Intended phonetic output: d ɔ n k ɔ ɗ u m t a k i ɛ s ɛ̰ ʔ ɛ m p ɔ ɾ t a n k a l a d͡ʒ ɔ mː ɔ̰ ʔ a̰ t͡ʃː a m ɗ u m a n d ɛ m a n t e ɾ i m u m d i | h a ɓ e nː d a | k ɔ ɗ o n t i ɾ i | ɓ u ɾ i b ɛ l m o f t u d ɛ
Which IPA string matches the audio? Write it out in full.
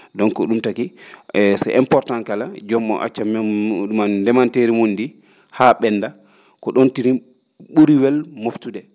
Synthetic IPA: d ɔ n k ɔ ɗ u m t a k i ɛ s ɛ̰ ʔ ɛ m p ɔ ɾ t a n k a l a d͡ʒ ɔ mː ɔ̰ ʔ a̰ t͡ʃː a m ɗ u m a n d ɛ m a n t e ɾ i m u n d i | h a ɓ ɛ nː d a | k ɔ ɗ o n t i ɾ i | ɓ u ɾ i w ɛ l m o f t u d ɛ